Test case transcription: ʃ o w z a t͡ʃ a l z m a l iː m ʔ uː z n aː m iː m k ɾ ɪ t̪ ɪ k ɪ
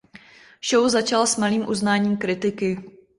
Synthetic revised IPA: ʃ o w z a t͡ʃ a l s m a l iː m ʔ u z n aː ɲ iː m k ɾ ɪ t̪ ɪ k ɪ